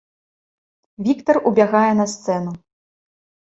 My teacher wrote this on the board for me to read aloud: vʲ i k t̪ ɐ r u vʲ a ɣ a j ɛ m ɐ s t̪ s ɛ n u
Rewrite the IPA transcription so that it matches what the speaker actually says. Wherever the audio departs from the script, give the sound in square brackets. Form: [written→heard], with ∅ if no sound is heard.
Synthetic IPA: vʲ i k t̪ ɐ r u [vʲ→bʲ] a ɣ a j ɛ [m→n] ɐ s t̪ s ɛ n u